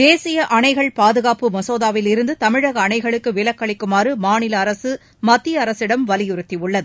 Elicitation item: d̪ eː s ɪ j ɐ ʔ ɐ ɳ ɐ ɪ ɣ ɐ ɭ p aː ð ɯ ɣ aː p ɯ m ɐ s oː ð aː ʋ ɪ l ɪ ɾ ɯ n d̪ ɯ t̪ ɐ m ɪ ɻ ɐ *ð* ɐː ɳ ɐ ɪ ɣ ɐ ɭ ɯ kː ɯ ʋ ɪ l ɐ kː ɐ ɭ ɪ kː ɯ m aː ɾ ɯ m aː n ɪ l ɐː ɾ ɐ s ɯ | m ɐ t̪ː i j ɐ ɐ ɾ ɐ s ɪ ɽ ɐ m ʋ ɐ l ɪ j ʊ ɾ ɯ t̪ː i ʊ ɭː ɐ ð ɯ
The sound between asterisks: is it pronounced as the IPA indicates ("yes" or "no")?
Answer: no